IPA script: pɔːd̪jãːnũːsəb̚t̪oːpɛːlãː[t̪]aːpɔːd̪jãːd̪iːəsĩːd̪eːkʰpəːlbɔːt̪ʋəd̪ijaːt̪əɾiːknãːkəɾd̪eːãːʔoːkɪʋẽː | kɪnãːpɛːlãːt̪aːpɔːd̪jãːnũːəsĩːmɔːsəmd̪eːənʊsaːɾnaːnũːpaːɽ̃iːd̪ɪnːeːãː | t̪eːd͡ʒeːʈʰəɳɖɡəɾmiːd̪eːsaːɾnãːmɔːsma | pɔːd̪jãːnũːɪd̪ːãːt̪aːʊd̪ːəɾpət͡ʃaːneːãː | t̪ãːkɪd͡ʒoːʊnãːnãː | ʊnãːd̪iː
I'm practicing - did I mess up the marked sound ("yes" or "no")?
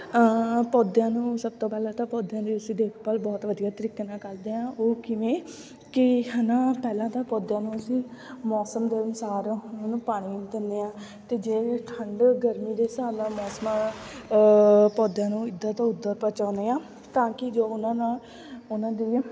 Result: no